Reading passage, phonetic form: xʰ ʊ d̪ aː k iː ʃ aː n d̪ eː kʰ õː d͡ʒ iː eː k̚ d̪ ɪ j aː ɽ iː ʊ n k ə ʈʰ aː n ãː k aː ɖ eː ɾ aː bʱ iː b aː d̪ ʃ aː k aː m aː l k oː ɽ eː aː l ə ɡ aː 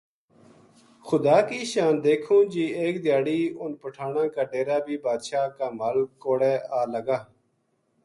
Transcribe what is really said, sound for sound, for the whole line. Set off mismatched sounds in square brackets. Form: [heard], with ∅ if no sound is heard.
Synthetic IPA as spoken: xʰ ʊ d̪ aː k iː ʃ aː n d̪ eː kʰ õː d͡ʒ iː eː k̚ d̪ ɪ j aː ɽ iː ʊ n [p] ə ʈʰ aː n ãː k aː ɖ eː ɾ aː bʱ iː b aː d̪ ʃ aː k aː m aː l k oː ɽ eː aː l ə ɡ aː